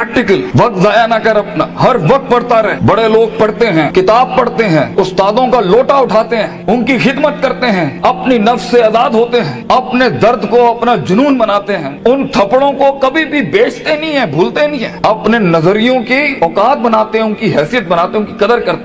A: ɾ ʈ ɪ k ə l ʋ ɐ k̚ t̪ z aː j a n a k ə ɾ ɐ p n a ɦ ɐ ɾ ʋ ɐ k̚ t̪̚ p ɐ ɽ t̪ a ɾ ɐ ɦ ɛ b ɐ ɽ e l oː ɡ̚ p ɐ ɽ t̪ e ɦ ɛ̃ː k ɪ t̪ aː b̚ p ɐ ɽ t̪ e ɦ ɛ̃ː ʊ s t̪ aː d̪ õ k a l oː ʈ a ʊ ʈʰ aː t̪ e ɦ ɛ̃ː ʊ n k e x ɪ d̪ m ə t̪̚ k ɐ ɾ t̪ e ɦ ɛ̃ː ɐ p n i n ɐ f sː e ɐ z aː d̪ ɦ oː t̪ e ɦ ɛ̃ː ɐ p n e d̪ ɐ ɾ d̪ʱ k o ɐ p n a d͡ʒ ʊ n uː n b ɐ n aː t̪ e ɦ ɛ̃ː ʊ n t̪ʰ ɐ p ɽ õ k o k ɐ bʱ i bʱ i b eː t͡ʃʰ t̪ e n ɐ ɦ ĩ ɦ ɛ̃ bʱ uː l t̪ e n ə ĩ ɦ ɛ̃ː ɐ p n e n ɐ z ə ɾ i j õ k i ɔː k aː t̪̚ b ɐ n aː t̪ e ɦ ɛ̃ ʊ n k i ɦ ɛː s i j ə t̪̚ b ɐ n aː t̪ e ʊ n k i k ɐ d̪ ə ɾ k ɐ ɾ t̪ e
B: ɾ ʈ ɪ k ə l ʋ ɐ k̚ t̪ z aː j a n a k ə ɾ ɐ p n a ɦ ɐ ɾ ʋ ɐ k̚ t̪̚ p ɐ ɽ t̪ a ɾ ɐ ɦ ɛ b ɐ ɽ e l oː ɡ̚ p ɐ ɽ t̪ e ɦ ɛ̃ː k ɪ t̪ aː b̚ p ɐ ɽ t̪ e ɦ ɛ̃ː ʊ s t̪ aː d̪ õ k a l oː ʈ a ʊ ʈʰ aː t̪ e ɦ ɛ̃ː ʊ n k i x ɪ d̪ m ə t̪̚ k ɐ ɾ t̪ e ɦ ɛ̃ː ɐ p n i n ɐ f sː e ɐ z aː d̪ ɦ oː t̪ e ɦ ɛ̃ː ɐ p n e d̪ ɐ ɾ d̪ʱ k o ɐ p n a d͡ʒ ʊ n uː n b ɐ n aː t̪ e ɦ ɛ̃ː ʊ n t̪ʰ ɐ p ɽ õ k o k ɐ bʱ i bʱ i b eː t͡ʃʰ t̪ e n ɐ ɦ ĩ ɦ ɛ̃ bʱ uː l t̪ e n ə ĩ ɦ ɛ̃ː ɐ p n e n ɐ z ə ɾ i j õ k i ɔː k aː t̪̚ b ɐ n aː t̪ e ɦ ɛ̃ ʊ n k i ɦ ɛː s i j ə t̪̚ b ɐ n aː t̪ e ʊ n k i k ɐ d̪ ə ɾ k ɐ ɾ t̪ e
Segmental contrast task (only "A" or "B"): B